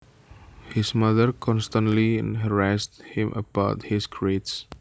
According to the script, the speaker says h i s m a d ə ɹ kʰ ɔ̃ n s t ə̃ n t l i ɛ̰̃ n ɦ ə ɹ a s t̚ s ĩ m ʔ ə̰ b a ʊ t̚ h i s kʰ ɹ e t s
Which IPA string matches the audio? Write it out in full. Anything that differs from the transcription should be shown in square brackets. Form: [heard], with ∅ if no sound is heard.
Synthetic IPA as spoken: h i s m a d ə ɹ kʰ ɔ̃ n s t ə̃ n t l i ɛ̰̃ n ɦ ə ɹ a s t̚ [h] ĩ m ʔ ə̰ b a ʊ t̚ h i s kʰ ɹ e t s